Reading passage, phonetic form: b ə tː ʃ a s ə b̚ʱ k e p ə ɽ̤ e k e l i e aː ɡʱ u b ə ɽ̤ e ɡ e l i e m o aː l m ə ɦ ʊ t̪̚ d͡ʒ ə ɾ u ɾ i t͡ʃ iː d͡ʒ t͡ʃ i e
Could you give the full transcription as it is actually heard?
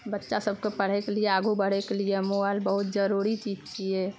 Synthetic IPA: b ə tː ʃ a s ə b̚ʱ k e p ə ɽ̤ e k e l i e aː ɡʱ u b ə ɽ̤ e k e l i e m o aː l b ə ɦ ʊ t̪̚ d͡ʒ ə ɾ u ɾ i t͡ʃ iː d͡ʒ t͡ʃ i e